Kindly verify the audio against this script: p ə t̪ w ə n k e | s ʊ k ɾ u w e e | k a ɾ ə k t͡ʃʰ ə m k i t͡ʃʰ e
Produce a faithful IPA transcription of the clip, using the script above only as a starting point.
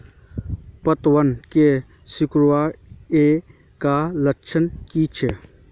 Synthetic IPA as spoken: p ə t̪ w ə n k e | s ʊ k ɾ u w a e | k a l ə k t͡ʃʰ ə n k i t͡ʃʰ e